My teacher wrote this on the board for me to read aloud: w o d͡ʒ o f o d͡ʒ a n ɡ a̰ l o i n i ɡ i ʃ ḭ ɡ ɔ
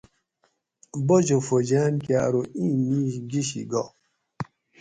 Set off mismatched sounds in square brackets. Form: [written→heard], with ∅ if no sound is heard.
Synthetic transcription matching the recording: [w→b] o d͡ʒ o f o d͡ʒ a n [ɡ→k] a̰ [l→ɾ] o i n i ɡ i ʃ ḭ ɡ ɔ